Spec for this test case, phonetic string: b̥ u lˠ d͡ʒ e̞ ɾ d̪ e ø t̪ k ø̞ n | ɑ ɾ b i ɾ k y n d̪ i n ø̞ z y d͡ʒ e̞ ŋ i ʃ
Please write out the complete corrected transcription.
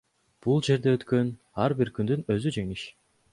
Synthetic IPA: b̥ u lˠ d͡ʒ e̞ ɾ d̪ e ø t̪ k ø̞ n | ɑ ɾ b i ɾ k y n d̪ y n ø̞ z y d͡ʒ e̞ ŋ i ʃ